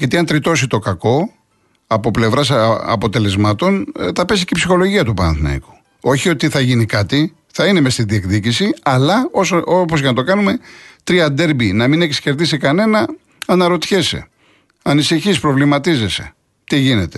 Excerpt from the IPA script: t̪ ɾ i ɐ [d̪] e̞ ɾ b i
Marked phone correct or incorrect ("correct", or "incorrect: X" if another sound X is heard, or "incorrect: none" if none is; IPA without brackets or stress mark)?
correct